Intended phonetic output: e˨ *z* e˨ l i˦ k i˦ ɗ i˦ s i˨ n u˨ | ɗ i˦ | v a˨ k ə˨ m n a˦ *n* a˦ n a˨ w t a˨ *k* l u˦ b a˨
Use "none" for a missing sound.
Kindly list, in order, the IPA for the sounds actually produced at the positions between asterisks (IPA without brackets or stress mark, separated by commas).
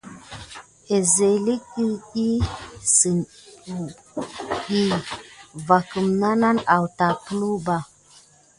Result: z, n, k